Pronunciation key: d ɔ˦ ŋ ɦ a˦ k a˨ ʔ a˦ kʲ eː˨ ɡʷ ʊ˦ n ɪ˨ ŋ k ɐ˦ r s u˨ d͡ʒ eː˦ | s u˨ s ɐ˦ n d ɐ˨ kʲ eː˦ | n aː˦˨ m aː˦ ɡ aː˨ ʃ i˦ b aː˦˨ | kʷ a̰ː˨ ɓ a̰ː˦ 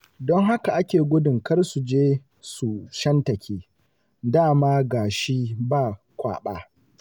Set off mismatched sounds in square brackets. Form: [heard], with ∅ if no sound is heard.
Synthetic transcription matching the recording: d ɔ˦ ŋ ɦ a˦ k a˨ ʔ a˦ kʲ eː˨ ɡʷ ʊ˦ [d] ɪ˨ ŋ k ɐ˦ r s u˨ d͡ʒ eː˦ | s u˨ [ʃ] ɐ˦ n [t] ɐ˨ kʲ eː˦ | [d] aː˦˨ m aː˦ ɡ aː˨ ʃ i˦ b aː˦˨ | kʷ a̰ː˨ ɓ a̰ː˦